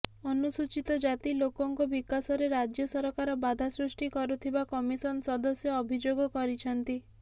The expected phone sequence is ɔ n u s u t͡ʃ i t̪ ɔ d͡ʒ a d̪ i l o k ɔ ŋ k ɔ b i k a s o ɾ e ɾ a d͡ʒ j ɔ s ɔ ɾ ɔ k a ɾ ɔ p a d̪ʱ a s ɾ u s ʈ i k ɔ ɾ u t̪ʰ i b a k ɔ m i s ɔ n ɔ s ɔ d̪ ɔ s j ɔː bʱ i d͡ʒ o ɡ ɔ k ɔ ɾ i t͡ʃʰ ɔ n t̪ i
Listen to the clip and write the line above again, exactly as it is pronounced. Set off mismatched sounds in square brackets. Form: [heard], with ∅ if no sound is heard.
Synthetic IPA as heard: ɔ n u s u t͡ʃ i t̪ ɔ d͡ʒ a [t̪] i l o k ɔ ŋ k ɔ b i k a s [ɔ] ɾ e ɾ a d͡ʒ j ɔ s ɔ ɾ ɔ k a ɾ ɔ [b] a d̪ʱ a s ɾ u s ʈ i k ɔ ɾ u t̪ʰ i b a k ɔ m i s ɔ n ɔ s ɔ d̪ ɔ s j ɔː bʱ i d͡ʒ o ɡ ɔ k ɔ ɾ i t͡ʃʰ ɔ n t̪ i